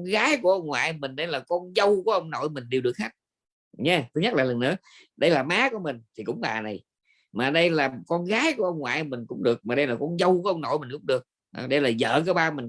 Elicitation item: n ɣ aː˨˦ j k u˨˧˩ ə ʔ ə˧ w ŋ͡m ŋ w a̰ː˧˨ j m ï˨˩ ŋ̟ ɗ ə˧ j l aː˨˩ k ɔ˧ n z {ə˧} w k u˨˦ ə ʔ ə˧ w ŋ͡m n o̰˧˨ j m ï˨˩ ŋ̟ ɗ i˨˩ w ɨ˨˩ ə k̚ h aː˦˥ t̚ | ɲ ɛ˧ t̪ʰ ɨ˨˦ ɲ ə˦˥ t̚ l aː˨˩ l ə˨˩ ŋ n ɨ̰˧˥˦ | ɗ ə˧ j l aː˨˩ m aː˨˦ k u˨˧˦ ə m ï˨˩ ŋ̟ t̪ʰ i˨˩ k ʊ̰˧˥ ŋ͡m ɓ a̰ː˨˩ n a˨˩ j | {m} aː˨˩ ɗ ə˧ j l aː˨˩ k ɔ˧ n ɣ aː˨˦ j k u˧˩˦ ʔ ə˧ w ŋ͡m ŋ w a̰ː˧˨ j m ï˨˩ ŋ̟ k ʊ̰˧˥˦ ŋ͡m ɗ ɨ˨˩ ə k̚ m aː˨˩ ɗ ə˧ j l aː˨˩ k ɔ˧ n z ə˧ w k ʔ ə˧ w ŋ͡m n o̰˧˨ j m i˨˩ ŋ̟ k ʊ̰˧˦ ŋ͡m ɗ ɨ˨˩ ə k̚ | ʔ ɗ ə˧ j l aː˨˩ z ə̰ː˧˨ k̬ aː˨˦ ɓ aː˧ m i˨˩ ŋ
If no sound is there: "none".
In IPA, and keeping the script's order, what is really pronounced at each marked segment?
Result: ə˧, m

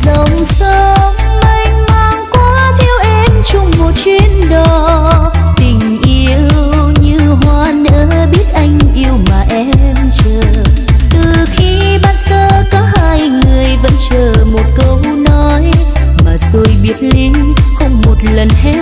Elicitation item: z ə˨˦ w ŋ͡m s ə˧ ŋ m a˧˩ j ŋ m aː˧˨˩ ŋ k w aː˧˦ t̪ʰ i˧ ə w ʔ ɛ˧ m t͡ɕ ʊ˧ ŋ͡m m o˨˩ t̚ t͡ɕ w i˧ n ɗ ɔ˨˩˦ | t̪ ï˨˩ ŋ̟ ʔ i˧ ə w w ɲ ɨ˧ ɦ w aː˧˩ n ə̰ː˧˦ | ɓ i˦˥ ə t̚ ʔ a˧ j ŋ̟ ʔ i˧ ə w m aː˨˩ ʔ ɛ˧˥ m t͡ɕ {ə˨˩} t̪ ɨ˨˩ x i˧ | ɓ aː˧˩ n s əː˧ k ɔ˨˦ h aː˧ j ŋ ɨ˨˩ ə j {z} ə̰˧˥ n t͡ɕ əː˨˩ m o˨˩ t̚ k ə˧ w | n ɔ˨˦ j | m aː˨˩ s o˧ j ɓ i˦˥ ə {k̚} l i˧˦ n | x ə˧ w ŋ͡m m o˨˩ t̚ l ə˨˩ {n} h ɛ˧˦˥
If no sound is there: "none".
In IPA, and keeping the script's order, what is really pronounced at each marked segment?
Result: əː˨˩, v, t̚, n

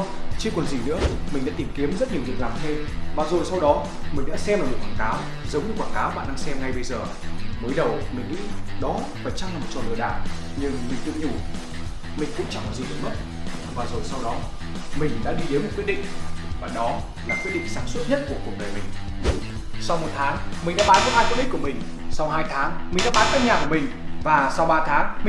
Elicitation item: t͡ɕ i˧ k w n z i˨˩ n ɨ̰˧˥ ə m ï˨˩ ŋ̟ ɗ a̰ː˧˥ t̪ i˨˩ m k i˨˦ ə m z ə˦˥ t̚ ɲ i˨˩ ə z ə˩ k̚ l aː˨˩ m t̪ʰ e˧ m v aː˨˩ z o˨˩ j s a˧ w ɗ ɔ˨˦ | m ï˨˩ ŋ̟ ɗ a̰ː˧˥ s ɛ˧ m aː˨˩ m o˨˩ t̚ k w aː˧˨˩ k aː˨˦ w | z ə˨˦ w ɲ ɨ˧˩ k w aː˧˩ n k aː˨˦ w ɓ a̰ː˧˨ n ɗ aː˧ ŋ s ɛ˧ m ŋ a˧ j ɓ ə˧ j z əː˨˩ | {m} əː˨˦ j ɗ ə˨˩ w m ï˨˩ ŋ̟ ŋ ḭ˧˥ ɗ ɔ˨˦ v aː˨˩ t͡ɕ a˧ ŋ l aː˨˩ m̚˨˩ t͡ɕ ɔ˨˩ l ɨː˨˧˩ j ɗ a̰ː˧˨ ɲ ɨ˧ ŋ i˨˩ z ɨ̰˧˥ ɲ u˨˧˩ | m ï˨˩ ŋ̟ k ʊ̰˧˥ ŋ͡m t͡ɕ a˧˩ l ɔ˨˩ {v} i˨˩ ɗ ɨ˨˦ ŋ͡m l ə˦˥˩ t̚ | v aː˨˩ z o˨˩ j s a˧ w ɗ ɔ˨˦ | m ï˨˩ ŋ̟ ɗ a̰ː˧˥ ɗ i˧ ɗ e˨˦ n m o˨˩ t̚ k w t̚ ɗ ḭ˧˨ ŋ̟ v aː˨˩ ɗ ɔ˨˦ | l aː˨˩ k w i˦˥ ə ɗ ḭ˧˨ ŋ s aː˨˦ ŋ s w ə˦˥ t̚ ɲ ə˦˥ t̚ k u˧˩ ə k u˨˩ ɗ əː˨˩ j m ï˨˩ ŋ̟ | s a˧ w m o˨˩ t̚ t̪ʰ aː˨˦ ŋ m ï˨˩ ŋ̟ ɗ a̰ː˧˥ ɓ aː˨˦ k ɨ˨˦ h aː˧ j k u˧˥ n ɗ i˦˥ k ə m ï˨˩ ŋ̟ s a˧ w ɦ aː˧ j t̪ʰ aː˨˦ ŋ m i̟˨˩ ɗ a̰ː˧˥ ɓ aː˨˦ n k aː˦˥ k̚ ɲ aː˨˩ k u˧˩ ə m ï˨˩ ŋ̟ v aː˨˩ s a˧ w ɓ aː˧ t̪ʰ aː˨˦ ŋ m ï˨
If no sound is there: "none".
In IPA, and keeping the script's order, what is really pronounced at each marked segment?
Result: m, z

